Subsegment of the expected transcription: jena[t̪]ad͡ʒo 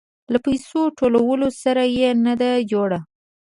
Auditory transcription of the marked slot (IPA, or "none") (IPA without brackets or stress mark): d̪